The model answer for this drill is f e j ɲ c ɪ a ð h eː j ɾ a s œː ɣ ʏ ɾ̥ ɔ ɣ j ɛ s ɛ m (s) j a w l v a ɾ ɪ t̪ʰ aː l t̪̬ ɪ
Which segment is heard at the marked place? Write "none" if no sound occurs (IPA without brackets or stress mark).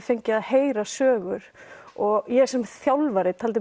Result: θ